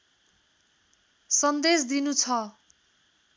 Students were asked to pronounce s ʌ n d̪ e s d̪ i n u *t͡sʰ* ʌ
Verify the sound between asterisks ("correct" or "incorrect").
correct